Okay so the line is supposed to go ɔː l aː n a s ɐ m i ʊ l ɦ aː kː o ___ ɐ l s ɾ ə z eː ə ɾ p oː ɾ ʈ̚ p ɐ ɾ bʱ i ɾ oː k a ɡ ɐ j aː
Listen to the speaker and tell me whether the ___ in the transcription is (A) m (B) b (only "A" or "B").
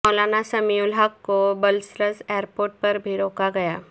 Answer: B